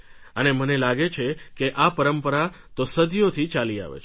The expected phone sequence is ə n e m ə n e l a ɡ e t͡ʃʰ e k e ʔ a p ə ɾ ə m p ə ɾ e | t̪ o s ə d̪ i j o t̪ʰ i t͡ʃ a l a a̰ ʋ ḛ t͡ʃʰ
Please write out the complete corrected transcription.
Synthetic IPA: ə n e m ə n e l a ɡ e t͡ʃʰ e k e ʔ a p ə ɾ ə m p ə ɾ a | t̪ o s ə d̪ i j o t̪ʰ i t͡ʃ a l i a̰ ʋ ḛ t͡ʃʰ